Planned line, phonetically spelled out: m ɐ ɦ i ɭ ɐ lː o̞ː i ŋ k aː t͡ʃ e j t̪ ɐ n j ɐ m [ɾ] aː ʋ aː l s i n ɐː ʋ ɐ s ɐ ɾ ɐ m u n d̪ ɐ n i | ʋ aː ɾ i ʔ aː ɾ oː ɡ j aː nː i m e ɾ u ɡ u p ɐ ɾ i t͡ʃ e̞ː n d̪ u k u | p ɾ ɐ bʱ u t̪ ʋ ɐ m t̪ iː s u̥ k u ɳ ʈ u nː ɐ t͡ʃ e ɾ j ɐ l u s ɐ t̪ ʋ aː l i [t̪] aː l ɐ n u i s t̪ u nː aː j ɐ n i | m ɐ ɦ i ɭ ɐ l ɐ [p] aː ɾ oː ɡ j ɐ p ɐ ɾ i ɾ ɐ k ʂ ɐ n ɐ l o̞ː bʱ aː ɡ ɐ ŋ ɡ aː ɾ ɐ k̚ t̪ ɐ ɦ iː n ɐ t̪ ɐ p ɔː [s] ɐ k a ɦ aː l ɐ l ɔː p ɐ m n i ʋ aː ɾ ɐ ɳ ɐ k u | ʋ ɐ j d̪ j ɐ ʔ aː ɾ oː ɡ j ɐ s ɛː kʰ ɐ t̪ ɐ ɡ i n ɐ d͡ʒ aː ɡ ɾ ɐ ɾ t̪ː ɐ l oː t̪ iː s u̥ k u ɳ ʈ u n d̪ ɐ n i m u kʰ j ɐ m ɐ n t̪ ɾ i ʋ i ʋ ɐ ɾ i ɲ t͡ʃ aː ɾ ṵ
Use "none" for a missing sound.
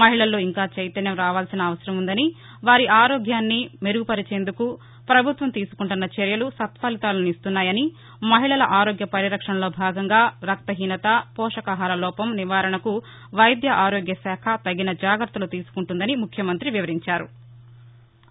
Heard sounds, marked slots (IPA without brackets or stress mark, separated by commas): ɾ, t̪, ʔ, ʂ